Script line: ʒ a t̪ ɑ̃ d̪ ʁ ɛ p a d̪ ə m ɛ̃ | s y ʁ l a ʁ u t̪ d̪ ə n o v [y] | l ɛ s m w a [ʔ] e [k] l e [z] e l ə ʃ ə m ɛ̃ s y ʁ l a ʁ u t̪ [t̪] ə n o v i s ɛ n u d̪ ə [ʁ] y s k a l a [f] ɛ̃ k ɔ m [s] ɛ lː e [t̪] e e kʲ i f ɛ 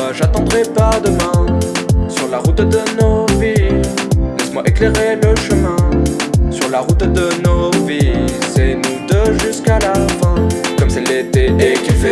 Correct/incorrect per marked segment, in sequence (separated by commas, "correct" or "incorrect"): incorrect, correct, correct, incorrect, incorrect, incorrect, correct, correct, correct